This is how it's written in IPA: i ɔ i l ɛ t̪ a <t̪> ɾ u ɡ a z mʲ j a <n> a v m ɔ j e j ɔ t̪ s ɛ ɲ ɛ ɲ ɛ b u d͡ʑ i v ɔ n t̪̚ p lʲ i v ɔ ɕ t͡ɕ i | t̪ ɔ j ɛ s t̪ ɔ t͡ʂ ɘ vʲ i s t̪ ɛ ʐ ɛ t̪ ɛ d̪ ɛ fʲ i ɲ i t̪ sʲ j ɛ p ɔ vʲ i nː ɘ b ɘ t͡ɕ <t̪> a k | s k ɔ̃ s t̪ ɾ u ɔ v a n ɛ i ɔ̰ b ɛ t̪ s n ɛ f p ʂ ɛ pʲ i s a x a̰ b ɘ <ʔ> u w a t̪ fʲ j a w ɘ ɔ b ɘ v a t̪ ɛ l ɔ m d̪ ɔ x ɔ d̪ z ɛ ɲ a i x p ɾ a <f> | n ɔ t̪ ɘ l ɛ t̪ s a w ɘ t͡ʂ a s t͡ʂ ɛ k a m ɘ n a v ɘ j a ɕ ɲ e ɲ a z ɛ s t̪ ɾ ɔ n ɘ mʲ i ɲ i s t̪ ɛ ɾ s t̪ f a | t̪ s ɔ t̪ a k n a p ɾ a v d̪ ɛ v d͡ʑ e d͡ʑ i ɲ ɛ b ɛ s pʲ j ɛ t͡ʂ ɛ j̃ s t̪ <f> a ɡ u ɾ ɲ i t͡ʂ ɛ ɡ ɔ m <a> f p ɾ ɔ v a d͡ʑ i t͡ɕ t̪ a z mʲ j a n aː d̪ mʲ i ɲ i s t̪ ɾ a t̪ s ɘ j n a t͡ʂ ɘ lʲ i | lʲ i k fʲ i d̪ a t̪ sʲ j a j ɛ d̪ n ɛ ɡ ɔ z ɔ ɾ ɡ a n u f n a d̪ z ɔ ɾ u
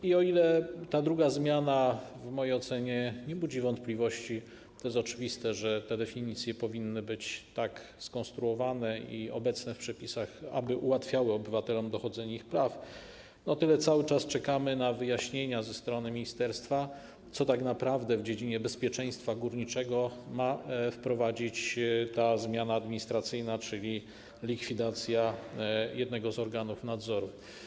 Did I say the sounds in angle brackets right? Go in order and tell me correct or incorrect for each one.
incorrect: d̪, correct, correct, correct, correct, correct, correct

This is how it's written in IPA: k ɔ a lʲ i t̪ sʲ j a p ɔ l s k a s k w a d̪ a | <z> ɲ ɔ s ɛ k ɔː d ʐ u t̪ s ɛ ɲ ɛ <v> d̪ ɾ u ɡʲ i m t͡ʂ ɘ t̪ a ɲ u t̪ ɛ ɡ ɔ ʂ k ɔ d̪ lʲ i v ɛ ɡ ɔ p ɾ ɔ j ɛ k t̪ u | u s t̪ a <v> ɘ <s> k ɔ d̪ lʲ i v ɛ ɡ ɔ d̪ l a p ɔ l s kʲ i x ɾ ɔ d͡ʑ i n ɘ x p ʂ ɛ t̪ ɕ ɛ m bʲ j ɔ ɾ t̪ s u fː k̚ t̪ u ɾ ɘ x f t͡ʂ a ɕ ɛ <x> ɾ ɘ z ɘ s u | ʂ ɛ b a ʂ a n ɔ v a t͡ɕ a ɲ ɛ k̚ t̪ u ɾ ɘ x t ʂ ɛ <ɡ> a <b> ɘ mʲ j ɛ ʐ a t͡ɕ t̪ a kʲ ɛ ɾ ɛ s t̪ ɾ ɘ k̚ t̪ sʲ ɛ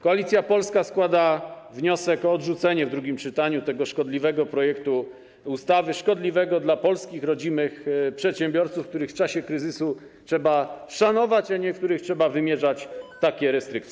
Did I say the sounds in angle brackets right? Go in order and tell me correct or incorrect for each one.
incorrect: v, correct, correct, incorrect: ʂ, incorrect: k, incorrect: b, incorrect: v

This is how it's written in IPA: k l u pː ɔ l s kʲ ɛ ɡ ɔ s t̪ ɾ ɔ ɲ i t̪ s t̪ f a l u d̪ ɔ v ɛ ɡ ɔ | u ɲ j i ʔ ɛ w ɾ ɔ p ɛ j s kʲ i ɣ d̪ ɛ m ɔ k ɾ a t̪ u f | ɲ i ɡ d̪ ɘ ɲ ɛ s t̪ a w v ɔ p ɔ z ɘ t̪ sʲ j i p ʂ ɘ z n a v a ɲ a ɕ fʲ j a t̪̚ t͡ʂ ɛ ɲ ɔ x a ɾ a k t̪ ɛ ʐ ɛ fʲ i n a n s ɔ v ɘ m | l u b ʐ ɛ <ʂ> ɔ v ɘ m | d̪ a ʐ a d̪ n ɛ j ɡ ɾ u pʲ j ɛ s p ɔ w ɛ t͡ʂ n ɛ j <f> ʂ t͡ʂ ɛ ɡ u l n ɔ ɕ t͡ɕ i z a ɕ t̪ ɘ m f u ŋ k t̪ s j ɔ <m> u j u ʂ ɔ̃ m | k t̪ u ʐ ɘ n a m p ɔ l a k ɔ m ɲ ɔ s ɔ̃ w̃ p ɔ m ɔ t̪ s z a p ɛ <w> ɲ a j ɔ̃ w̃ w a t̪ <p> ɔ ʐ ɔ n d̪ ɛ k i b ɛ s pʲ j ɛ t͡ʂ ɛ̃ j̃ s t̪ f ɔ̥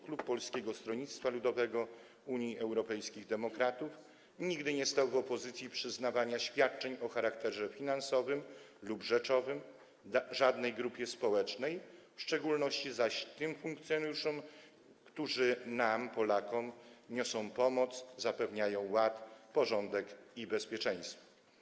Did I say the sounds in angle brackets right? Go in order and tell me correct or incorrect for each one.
incorrect: t͡ʂ, correct, incorrect: n, incorrect: v, correct

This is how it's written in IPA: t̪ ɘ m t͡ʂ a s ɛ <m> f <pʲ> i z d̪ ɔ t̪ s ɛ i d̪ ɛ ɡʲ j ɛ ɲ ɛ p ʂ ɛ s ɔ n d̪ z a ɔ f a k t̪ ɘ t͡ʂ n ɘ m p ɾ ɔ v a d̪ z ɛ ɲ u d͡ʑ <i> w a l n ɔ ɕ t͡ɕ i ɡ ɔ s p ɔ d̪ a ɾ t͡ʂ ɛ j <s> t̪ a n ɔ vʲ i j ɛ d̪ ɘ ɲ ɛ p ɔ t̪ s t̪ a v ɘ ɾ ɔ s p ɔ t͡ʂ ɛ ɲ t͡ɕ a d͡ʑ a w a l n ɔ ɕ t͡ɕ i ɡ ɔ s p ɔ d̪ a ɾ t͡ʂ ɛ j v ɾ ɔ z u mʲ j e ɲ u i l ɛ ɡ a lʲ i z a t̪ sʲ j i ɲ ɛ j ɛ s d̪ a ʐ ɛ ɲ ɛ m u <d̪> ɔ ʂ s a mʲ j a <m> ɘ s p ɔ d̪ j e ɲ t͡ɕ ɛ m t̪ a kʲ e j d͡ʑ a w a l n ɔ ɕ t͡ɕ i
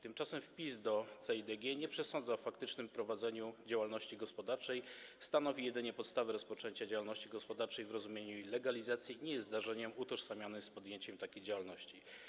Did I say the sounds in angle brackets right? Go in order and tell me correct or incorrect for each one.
correct, correct, incorrect: a, correct, incorrect: t̪, incorrect: n

